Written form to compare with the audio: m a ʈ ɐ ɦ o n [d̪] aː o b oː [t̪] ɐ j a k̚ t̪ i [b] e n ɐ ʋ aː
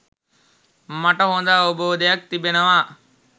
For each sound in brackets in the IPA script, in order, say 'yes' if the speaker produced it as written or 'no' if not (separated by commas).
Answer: yes, no, yes